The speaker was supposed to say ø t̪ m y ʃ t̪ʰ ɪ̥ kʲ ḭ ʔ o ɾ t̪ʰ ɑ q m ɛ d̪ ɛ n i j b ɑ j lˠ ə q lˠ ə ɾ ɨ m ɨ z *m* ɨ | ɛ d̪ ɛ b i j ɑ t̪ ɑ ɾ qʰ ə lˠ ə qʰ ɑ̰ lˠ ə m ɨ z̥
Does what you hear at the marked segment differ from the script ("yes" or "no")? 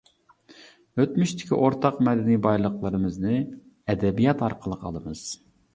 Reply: yes